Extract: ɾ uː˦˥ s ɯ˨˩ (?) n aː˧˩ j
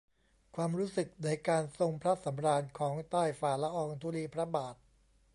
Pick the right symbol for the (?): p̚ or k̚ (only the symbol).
k̚